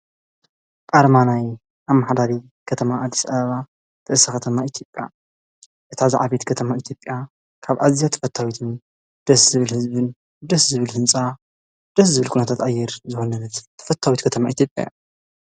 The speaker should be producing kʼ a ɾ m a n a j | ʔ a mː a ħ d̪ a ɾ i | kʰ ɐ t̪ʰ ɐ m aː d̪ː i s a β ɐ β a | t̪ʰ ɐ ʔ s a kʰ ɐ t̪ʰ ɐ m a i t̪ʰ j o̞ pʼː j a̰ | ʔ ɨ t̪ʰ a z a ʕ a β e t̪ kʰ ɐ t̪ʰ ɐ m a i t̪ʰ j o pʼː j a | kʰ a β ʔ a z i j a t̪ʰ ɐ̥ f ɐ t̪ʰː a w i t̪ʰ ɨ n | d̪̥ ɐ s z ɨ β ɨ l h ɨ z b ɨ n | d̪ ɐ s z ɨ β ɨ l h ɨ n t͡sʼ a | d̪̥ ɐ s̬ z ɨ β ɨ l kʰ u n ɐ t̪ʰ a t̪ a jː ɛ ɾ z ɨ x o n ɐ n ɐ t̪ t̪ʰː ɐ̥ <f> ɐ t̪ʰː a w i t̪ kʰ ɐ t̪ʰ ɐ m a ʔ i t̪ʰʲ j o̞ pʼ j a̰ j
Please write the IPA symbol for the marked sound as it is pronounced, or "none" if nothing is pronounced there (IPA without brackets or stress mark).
f